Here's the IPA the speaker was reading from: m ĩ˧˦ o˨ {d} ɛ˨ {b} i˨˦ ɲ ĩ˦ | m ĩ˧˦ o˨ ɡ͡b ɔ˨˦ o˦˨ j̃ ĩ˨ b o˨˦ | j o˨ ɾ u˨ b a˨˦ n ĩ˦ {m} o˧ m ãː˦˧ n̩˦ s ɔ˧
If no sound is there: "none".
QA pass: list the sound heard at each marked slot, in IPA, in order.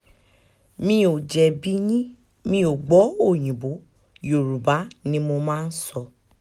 d͡ʒ, b, m

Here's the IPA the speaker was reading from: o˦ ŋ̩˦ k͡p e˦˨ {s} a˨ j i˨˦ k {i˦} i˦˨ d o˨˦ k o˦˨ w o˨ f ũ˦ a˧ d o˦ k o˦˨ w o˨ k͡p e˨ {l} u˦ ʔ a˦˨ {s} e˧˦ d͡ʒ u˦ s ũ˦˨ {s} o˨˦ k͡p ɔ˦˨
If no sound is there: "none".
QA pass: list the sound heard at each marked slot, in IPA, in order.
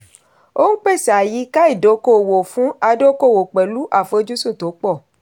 s, a˦, l, f, t

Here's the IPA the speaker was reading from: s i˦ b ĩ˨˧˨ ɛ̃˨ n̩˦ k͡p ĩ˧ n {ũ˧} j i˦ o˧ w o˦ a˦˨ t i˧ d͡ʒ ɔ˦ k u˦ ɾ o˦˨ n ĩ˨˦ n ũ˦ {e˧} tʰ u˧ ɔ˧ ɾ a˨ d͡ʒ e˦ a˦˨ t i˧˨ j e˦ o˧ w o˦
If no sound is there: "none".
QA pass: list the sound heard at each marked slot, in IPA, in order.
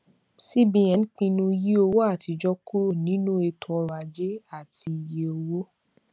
ũ˧, e˧

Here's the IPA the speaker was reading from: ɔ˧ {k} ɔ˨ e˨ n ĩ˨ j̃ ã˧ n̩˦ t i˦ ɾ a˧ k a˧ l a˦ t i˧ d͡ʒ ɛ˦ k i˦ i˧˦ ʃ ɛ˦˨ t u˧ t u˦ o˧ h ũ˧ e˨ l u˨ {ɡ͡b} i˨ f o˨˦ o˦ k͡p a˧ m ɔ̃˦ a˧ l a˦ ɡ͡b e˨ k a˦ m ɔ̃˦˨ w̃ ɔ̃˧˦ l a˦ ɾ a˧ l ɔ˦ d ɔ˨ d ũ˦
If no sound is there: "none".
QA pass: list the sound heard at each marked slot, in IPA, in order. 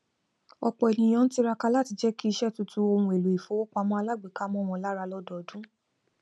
k͡p, none

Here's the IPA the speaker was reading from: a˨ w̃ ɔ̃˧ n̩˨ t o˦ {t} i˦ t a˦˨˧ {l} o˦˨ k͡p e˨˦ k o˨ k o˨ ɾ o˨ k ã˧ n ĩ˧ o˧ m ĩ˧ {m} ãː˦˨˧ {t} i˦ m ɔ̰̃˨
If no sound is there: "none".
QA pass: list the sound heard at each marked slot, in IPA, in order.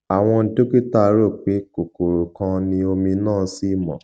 k, ɾ, n, s

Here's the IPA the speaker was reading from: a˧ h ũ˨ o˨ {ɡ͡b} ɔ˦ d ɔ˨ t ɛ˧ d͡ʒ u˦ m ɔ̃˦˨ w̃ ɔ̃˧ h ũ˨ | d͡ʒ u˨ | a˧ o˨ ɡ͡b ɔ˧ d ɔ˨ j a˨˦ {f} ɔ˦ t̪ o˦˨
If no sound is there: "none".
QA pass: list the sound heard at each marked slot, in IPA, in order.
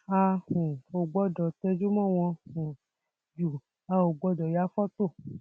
ɡ͡b, f

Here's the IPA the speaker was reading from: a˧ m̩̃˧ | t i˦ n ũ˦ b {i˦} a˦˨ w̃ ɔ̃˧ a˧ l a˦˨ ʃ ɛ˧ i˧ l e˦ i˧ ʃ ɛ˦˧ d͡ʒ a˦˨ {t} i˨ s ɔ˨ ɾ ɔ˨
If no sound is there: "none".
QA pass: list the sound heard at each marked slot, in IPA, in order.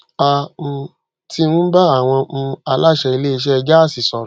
a˦, s

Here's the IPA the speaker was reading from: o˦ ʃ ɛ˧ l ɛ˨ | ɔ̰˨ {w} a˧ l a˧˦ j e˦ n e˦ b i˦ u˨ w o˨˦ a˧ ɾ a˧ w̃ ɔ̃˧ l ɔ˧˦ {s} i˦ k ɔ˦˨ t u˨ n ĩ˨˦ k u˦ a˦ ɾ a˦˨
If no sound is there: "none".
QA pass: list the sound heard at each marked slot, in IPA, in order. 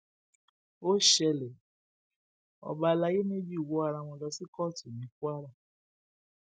b, s

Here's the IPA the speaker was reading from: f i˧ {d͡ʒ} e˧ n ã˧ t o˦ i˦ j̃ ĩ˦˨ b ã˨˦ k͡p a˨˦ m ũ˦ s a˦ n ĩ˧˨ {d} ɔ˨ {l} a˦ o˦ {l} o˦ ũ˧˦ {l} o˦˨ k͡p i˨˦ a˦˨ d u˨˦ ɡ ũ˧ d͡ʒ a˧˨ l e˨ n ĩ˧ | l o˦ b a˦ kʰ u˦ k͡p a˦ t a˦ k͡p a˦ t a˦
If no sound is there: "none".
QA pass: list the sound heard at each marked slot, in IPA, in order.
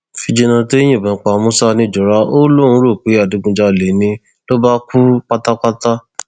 d͡ʒ, d͡ʒ, ɾ, l, ɾ

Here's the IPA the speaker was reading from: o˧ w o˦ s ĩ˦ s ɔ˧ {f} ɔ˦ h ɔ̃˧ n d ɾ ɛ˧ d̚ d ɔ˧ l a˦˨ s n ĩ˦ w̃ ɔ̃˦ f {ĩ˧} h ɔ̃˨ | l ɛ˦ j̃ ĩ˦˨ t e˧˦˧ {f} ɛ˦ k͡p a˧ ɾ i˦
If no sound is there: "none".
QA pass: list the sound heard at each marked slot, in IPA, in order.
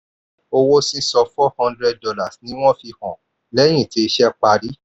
f, i˧, ʃ

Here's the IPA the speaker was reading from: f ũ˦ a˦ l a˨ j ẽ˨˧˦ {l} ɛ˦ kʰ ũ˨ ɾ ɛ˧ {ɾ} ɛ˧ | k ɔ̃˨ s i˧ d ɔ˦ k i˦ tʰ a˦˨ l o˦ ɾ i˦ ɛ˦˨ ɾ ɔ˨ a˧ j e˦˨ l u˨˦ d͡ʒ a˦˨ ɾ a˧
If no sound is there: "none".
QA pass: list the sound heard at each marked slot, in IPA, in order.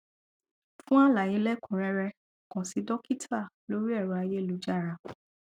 l, ɾ

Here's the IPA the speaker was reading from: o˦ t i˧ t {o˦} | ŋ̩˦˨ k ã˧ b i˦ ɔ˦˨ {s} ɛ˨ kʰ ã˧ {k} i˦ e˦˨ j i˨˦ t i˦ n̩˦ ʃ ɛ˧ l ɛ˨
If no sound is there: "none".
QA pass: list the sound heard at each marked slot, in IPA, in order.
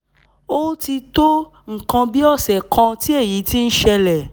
o˦, s, t

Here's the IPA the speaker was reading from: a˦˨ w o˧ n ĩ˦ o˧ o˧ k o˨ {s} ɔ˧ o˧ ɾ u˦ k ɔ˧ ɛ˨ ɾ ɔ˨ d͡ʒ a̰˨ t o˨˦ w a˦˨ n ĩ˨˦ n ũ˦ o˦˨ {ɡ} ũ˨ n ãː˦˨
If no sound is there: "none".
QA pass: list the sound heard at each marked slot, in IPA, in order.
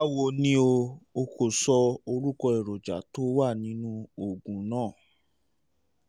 s, ɡ

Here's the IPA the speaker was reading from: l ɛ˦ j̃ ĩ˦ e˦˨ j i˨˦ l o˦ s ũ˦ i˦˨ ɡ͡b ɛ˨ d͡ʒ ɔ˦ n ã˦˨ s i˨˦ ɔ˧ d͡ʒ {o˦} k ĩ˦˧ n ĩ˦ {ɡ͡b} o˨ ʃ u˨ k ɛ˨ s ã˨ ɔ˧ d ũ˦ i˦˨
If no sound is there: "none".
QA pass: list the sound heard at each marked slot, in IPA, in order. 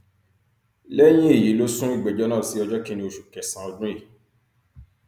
ɔ˦, none

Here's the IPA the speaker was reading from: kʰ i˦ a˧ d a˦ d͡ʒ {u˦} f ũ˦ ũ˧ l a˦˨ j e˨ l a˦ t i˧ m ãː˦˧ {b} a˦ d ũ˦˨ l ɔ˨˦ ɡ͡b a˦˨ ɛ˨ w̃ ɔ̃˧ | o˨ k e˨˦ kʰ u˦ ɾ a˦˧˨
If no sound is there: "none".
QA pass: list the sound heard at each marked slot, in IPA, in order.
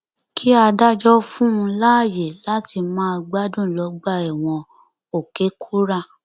ɔ˦, ɡ͡b

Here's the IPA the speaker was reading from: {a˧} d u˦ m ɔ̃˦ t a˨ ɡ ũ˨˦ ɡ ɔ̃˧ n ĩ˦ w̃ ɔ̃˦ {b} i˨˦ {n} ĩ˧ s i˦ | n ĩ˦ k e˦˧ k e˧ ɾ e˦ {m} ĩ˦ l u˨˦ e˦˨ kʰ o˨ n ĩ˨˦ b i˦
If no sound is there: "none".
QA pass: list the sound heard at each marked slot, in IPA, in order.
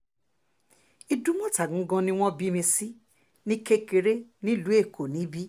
i˧, b, m, n

